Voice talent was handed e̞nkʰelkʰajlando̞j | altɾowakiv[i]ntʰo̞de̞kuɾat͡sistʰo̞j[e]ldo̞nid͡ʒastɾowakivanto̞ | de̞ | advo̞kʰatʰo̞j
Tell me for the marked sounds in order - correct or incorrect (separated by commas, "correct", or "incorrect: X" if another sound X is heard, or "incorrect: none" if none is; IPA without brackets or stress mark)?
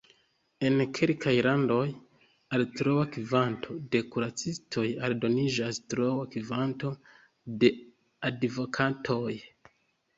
incorrect: a, incorrect: a